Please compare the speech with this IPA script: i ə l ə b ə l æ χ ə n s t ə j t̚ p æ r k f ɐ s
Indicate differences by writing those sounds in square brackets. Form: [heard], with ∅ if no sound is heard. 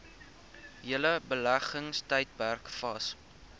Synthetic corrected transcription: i ə l ə b ə l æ χ ə [ŋ] s t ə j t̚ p æ r k f ɐ s